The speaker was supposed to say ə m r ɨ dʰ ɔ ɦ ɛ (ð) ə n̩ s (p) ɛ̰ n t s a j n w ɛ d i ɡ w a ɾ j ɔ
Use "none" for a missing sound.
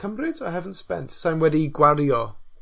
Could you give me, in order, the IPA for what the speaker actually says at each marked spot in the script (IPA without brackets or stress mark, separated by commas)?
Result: v, p